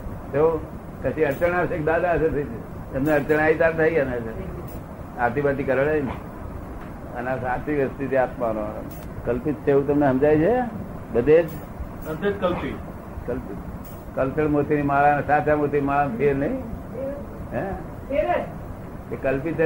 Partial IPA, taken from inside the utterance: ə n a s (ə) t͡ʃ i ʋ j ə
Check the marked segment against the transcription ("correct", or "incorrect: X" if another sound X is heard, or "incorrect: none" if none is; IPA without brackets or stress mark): incorrect: a